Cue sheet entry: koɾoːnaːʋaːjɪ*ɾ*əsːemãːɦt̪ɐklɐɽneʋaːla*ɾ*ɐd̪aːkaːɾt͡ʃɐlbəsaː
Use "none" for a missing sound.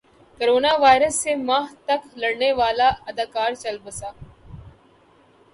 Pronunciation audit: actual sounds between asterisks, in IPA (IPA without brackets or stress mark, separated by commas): ɾ, none